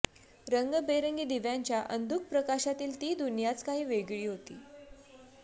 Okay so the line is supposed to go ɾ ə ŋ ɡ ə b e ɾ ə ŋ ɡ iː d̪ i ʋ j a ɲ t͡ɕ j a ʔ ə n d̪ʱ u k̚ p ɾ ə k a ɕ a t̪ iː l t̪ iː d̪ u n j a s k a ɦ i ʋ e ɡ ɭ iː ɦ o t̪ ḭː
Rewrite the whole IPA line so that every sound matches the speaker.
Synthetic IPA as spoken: ɾ ə ŋ ɡ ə b e ɾ ə ŋ ɡ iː d̪ i ʋ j a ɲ t͡ɕ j a ʔ ə n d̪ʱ u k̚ p ɾ ə k a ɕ a t̪ iː l t̪ iː d̪ u n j a t͡s k a ɦ iː ʋ e ɡ ɭ iː ɦ o t̪ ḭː